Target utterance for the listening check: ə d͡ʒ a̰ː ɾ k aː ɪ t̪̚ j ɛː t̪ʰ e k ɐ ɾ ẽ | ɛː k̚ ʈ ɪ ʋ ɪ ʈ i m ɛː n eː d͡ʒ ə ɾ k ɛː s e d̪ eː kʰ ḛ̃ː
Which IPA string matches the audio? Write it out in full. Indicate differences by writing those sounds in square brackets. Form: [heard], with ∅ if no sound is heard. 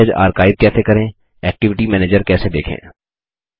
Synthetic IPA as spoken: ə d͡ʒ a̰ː ɾ k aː ɪ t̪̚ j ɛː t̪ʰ e k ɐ ɾ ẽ | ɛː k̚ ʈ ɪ ʋ ɪ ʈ i m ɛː n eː d͡ʒ ə ɾ k ɛː s e d̪ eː kʰ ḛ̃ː